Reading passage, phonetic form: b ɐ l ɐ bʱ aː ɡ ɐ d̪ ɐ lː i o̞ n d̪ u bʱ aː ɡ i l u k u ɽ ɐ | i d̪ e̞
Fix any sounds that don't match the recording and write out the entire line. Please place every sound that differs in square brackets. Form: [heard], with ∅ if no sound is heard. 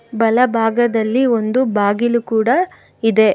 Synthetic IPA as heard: b ɐ l ɐ bʱ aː ɡ ɐ d̪ ɐ lː i o̞ n d̪ u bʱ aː ɡ i l u k [uː] ɽ ɐ | i d̪ e̞